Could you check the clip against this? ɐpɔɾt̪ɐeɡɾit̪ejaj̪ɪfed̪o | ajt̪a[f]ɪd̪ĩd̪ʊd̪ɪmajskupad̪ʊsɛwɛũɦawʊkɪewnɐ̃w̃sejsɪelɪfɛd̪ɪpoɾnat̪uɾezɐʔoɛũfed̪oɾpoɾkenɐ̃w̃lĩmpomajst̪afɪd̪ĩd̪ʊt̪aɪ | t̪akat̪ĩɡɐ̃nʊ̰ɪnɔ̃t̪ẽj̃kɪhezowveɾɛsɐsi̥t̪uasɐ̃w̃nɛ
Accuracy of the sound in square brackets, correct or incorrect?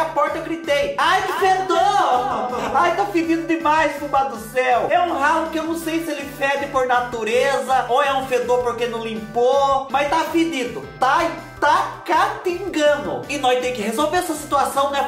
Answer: correct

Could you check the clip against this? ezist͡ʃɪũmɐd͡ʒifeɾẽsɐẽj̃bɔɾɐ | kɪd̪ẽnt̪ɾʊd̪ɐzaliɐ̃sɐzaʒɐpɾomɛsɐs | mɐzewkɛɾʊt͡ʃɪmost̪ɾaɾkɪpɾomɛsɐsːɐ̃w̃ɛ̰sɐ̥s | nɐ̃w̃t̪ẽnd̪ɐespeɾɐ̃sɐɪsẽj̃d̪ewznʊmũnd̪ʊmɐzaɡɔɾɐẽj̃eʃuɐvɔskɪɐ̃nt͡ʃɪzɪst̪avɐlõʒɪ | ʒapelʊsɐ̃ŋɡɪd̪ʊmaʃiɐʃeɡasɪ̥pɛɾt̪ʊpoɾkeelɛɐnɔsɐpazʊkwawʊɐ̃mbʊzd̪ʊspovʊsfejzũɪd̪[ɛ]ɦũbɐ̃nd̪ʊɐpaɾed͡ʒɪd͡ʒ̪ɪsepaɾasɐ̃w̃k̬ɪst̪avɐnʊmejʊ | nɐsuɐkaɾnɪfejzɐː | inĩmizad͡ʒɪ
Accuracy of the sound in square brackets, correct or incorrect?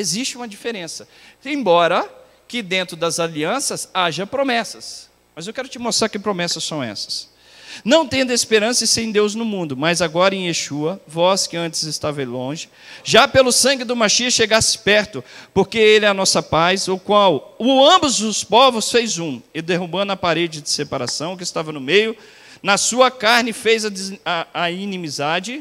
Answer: incorrect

